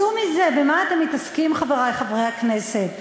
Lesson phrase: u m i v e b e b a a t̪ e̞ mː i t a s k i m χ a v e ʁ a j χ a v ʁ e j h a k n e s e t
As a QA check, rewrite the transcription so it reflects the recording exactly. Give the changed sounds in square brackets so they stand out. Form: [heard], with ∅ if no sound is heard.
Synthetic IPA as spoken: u m i [z] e b e [m] a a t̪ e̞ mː i t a s k i m χ a v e ʁ a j χ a v ʁ e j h a k n e s e t